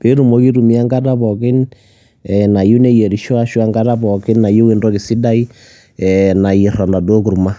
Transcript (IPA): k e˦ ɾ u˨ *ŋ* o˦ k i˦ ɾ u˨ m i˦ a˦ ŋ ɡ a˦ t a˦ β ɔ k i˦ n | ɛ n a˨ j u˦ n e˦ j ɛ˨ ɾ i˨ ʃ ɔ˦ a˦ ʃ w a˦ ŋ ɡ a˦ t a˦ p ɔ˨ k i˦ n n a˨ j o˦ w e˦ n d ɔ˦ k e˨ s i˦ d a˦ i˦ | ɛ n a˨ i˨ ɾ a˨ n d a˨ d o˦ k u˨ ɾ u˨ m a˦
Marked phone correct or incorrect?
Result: incorrect